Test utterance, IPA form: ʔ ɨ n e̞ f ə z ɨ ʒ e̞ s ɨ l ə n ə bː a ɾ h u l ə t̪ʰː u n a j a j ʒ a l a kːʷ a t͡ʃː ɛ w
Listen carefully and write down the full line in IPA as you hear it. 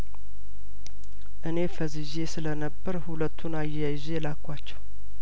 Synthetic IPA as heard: ʔ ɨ n e̞ f ə z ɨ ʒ e̞ s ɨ l ə n ə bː ə ɾ h u l ə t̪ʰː u n a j a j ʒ e l a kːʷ a t͡ʃː ɛ w